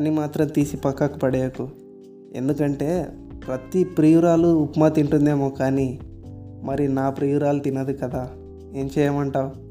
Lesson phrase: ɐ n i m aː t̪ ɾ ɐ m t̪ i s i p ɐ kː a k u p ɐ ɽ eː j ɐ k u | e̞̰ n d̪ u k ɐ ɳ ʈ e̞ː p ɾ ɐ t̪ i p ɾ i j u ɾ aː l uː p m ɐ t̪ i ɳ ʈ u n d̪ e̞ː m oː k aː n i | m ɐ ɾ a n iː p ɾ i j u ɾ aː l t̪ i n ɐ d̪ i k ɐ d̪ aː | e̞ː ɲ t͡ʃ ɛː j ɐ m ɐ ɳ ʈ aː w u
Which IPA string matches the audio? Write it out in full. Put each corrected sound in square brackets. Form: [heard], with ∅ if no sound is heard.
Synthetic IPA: ɐ n i m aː t̪ ɾ ɐ m t̪ [iː] s i p ɐ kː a k u p ɐ ɽ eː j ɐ k u | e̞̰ n d̪ u k ɐ ɳ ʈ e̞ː p ɾ ɐ t̪ i p ɾ i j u ɾ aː l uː p m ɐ t̪ i ɳ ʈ u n d̪ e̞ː m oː k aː n i | m ɐ ɾ [i] n [aː] p ɾ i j u ɾ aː l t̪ i n ɐ d̪ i k ɐ d̪ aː | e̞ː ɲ t͡ʃ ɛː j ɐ m ɐ ɳ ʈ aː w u